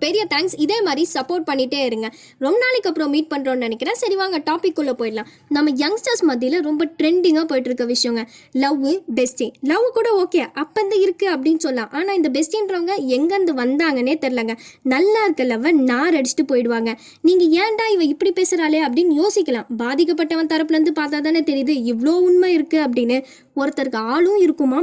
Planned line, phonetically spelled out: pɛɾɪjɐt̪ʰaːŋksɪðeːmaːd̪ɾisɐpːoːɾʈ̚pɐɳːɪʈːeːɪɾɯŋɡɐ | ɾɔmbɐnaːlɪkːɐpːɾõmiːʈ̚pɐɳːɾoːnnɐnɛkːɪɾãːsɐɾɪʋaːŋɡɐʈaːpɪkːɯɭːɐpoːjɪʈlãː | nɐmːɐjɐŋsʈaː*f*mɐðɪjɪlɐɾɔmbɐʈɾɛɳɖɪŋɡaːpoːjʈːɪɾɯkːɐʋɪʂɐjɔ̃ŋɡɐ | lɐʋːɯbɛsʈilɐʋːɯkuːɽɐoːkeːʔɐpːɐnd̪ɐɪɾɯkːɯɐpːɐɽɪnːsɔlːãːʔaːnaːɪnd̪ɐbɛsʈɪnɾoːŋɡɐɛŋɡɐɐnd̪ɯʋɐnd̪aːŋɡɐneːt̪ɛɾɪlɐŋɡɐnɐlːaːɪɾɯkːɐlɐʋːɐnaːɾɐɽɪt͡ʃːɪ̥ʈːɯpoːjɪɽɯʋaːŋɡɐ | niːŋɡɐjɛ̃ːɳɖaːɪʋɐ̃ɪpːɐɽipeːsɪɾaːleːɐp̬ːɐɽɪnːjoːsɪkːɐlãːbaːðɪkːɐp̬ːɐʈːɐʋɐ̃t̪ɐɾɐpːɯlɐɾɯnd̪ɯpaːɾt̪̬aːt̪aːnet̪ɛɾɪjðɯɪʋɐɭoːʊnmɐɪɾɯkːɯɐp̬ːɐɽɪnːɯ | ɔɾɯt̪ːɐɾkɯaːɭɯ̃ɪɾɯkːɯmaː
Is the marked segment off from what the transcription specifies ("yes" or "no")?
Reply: yes